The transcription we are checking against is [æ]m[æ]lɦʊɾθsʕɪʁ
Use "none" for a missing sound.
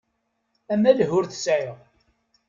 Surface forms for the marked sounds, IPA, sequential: æ, æ

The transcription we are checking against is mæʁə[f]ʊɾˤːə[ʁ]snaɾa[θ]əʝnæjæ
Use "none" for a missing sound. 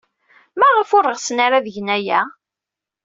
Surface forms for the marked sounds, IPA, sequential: f, ʁ, ð

